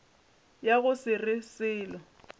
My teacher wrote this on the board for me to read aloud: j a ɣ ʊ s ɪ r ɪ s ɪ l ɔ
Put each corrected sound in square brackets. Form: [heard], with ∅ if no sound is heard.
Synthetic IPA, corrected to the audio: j a ɣ ʊ s ɪ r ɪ s [ɪː] l ɔ